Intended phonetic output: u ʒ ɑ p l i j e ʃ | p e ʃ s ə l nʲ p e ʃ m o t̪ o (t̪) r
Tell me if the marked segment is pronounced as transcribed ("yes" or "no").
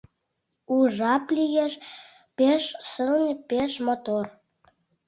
no